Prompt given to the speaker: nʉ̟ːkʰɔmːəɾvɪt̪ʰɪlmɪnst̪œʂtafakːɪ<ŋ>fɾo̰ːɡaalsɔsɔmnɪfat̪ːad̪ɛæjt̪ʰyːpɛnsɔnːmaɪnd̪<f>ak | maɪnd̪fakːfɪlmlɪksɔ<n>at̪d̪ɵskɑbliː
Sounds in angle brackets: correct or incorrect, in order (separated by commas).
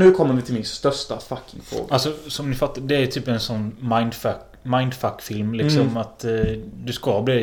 correct, correct, incorrect